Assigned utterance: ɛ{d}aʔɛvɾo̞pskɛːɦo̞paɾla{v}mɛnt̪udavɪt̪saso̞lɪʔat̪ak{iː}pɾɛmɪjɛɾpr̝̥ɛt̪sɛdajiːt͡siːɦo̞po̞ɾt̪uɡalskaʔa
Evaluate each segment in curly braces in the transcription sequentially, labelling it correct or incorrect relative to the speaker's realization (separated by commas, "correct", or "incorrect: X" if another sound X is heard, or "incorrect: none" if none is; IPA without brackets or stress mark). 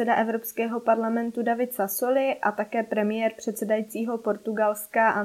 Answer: correct, incorrect: none, incorrect: ɛː